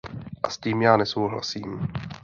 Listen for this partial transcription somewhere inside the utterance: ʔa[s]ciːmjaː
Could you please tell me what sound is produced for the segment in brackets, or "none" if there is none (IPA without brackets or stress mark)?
s